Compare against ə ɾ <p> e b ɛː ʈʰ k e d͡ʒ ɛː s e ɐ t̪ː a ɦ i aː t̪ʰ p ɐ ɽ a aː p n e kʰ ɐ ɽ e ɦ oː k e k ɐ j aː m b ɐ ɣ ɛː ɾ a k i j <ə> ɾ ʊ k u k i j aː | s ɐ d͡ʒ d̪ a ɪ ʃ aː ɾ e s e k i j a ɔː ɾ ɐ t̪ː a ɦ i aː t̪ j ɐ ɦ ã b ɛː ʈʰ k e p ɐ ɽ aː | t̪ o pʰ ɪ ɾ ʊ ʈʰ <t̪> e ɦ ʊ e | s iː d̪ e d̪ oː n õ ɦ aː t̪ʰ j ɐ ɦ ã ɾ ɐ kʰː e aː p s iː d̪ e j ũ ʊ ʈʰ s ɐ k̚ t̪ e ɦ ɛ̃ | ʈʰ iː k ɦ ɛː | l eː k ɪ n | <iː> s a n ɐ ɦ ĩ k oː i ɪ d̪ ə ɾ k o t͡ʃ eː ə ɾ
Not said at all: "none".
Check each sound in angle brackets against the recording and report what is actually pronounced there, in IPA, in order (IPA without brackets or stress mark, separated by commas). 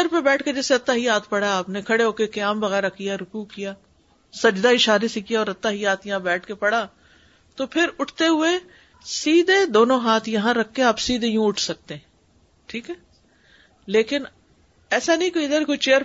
p, a, t̪, ɛː